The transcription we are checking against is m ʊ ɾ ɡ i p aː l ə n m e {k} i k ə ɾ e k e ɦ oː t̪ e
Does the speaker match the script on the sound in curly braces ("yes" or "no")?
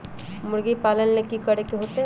yes